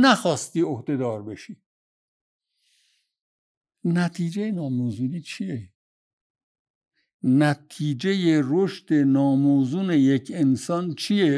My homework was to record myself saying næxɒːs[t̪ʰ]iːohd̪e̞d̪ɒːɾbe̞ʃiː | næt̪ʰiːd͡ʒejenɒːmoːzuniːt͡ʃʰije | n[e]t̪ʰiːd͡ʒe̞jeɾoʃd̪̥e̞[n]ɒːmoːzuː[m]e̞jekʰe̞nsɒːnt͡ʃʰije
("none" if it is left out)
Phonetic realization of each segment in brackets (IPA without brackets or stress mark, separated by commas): t̪, æ, n, n